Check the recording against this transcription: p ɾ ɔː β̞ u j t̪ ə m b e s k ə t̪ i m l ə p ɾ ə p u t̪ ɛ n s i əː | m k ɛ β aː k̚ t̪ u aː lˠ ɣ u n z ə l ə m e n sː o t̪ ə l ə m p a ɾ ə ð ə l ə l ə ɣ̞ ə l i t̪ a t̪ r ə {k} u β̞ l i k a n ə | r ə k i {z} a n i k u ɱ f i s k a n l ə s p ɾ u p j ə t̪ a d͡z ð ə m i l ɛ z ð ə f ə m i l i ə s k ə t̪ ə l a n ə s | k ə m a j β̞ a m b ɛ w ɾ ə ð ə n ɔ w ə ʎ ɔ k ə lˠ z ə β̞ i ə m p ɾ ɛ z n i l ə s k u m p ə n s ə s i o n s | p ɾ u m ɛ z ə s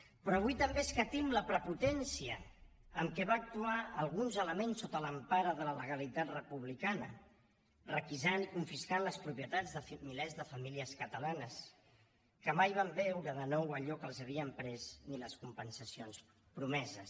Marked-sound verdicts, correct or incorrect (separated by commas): incorrect, correct